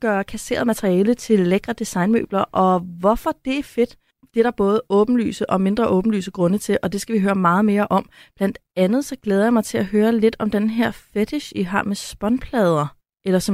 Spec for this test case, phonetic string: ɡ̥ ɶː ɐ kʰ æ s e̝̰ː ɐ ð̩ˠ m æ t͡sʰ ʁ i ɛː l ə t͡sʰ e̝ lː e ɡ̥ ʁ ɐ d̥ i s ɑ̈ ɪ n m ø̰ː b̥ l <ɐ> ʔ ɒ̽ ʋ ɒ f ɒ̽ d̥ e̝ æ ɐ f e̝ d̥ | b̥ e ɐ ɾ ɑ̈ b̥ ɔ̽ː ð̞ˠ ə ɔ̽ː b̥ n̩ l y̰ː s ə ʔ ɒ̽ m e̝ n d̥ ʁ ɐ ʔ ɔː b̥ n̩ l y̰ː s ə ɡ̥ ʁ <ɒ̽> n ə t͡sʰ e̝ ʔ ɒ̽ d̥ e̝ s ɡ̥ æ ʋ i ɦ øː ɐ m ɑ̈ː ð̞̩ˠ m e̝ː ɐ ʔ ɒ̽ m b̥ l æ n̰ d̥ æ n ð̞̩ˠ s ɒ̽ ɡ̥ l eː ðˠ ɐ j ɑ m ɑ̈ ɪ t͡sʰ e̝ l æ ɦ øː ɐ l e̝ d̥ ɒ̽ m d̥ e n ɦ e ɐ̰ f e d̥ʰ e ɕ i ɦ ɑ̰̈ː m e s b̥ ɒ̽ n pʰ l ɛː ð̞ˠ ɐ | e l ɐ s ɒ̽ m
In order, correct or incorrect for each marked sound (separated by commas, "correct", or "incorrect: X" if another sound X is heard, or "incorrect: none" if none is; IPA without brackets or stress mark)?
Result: correct, incorrect: ɔ̽